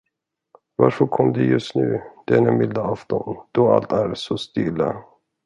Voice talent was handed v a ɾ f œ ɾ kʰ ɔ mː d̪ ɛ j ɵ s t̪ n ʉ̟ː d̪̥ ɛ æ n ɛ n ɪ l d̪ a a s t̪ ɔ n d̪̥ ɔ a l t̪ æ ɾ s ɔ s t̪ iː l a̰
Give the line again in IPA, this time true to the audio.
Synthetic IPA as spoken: v a ɾ f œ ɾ kʰ ɔ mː d̪ ɛ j ɵ s t̪ n ʉ̟ː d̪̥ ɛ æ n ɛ m ɪ l d̪ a a f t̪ ɔ n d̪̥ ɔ a l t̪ æ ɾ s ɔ s t̪ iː l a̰